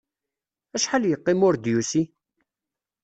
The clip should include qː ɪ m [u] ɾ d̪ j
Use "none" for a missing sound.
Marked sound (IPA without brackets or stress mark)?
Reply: ʊ